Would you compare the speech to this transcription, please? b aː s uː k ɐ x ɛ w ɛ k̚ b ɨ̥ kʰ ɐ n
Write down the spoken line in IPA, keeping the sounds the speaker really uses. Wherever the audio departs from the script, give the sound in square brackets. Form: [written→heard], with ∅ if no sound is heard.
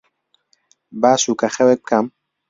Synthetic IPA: b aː s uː k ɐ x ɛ w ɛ k̚ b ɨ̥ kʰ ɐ [n→m]